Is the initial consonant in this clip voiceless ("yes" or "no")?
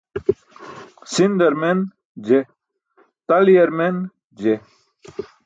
yes